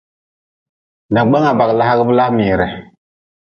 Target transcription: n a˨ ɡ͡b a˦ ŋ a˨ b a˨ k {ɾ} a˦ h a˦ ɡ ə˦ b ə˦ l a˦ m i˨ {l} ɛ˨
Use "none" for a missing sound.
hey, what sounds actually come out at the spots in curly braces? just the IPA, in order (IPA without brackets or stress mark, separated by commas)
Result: l, ɾ